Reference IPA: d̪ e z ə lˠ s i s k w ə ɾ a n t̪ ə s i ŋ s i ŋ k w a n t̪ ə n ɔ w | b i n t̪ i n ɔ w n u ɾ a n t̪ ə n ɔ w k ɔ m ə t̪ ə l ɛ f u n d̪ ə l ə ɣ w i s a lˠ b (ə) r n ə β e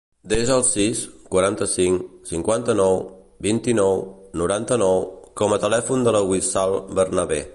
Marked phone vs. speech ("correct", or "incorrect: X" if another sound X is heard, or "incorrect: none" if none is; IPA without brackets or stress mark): correct